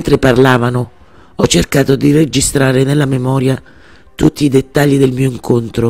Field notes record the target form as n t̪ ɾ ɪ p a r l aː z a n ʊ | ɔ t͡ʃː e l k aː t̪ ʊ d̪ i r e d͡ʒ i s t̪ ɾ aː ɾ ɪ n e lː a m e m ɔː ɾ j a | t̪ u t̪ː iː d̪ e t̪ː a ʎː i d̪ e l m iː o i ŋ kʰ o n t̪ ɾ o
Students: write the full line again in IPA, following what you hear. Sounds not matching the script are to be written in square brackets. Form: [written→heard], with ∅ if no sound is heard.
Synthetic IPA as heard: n t̪ ɾ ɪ p a r l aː [z→v] a n ʊ | ɔ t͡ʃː e [l→r] k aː t̪ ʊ d̪ i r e d͡ʒ i s t̪ ɾ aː ɾ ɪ n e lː a m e m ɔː ɾ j a | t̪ u t̪ː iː d̪ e t̪ː a ʎː i d̪ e l m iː o i ŋ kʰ o n t̪ ɾ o